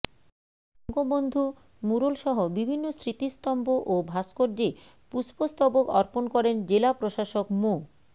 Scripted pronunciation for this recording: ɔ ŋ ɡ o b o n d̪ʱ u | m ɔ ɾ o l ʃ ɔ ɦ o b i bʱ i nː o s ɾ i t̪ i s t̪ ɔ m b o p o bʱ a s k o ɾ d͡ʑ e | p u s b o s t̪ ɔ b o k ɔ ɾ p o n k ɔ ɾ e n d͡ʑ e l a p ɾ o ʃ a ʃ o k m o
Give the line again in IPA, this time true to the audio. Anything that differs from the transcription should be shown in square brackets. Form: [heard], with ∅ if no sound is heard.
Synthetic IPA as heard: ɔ ŋ ɡ o b o n d̪ʱ u | m [u] ɾ o l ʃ ɔ ɦ o b i bʱ i nː o s ɾ i t̪ i s t̪ ɔ m b o [ʔ] o bʱ a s k o ɾ d͡ʑ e | p u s [p] o s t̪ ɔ b o k ɔ ɾ p o n k ɔ ɾ e n d͡ʑ e l a p ɾ o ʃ a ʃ o k m o